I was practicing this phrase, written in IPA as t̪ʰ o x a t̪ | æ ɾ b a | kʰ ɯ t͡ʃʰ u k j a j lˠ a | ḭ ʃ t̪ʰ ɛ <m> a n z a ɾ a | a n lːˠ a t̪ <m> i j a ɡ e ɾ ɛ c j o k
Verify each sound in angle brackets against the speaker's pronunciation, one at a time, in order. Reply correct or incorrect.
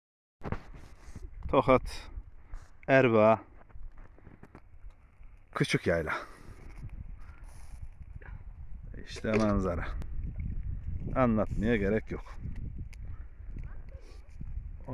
correct, correct

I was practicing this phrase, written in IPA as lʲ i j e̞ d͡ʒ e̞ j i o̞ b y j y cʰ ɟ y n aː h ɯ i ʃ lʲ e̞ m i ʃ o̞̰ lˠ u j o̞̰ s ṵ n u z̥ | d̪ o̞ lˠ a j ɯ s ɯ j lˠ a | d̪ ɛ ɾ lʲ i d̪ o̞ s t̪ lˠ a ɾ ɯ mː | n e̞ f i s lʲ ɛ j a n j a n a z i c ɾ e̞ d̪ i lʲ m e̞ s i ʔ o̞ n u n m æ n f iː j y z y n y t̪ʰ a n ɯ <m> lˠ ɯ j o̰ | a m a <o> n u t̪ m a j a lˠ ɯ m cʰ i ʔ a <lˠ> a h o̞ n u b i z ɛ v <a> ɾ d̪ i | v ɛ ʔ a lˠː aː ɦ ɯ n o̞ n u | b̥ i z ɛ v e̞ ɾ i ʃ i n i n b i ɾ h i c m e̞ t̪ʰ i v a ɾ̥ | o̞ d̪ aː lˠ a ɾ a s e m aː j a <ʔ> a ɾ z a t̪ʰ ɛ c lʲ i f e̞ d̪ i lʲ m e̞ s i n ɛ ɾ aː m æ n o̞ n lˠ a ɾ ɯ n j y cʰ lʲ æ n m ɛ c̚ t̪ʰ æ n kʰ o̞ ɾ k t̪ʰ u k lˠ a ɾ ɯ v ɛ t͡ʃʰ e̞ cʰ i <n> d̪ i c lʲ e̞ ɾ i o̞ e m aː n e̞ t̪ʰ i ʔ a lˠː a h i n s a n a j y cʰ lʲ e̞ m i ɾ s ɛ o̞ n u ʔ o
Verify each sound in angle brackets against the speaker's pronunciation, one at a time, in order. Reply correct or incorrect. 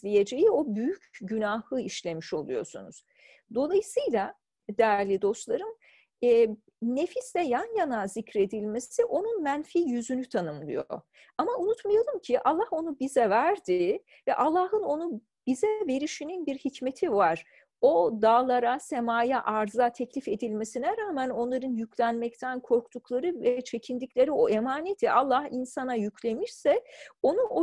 correct, incorrect, incorrect, incorrect, correct, correct

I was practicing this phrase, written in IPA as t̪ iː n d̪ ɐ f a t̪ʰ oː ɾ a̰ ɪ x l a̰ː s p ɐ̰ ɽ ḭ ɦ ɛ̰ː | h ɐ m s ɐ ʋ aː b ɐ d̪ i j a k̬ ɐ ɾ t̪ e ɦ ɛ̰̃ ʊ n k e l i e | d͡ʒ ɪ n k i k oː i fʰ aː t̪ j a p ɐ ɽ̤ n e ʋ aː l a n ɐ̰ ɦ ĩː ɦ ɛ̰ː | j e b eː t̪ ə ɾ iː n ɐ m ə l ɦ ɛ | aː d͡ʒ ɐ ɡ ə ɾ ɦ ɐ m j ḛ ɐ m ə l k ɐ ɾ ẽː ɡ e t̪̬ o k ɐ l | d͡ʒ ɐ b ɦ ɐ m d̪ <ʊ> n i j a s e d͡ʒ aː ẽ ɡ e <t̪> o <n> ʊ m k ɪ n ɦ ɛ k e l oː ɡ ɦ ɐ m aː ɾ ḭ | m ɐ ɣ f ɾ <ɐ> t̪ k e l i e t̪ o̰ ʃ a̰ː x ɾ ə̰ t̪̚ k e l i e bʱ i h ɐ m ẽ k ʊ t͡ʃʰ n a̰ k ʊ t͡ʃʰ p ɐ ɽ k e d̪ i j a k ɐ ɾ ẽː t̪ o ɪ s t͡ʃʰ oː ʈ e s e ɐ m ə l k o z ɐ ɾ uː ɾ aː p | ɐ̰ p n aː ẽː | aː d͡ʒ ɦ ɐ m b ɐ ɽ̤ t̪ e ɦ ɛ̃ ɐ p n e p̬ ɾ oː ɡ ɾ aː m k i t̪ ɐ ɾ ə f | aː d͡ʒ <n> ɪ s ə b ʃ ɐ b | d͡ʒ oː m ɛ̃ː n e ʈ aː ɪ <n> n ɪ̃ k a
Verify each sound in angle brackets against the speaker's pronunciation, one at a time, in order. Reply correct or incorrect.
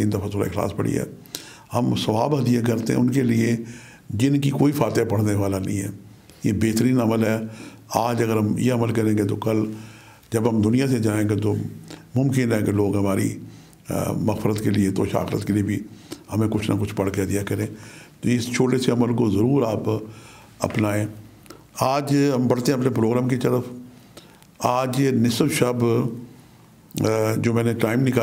correct, correct, incorrect, incorrect, correct, incorrect

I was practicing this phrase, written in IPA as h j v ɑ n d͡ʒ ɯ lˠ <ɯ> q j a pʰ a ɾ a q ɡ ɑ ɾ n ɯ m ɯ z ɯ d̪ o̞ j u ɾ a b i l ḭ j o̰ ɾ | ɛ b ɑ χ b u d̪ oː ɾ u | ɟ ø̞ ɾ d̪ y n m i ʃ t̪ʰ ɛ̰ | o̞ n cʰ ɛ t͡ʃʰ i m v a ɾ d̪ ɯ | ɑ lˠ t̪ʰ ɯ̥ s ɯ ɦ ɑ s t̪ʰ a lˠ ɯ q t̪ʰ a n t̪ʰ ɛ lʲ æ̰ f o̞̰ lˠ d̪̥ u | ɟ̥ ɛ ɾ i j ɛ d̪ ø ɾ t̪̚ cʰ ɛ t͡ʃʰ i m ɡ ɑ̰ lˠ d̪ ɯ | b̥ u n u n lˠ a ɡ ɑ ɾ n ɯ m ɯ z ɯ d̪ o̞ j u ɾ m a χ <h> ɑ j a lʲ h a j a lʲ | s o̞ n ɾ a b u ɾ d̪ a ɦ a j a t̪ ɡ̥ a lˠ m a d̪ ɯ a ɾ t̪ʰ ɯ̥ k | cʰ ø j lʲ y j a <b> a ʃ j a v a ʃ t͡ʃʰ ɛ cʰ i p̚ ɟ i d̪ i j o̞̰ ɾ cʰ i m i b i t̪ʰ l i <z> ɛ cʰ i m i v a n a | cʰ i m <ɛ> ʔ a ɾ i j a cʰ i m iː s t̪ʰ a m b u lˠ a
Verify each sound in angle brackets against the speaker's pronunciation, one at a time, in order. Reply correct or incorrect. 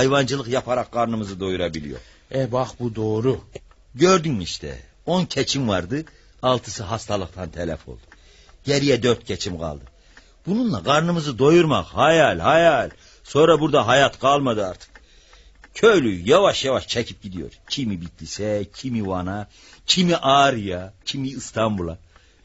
correct, correct, incorrect, incorrect, incorrect

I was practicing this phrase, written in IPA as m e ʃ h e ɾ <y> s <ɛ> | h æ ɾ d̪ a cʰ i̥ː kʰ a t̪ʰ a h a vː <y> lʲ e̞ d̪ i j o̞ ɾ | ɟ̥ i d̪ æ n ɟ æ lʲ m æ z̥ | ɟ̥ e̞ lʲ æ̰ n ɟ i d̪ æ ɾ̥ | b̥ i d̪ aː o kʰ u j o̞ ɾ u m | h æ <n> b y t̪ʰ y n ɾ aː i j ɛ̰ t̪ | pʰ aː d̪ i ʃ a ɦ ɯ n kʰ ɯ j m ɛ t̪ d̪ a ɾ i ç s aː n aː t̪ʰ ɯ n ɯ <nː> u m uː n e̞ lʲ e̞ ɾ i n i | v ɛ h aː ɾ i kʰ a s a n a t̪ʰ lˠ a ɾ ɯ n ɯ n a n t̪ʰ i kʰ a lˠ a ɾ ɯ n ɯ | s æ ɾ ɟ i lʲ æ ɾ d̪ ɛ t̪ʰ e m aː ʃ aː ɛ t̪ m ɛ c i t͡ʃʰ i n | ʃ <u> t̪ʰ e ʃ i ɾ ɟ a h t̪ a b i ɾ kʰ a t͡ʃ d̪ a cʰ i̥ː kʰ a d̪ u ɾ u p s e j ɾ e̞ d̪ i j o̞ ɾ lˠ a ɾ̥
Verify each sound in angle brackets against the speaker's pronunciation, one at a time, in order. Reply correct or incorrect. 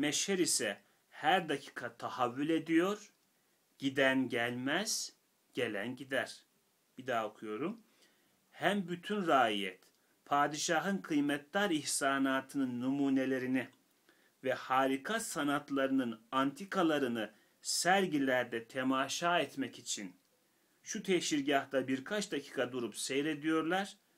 incorrect, correct, correct, incorrect, correct, correct

